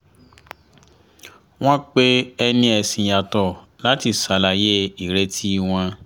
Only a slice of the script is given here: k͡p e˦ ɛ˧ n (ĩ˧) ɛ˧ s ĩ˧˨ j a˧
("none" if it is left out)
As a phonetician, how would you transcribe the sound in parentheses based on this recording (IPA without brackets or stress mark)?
ĩ˧